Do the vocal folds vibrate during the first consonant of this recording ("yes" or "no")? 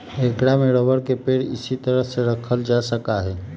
no